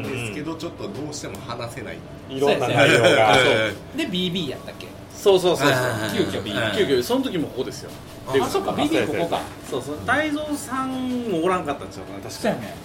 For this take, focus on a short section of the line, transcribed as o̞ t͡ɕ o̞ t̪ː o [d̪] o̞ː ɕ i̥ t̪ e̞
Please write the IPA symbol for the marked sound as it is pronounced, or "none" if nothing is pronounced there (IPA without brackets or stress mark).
d̪